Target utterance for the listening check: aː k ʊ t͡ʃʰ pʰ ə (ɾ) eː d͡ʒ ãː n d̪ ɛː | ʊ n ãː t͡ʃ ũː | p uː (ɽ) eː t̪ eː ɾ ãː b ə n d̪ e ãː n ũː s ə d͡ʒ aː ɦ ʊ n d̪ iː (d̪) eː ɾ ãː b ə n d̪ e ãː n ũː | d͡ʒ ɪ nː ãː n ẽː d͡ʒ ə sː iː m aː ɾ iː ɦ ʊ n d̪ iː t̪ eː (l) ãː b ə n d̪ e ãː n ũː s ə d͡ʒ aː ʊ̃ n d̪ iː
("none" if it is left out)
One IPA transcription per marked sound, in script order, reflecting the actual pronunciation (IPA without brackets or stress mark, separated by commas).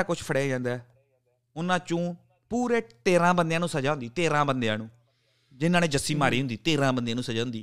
ɽ, ɾ, t̪, ɾ